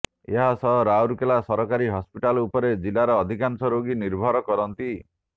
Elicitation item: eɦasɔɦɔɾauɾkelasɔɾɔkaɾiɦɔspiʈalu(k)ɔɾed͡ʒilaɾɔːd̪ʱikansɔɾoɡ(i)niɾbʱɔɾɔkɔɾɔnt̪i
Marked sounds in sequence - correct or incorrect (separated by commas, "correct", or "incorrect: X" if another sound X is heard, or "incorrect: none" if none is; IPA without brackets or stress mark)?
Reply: incorrect: p, correct